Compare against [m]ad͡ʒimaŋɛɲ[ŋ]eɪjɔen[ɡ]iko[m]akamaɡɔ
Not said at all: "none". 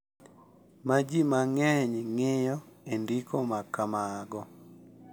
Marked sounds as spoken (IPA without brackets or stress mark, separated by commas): m, ŋ, d, m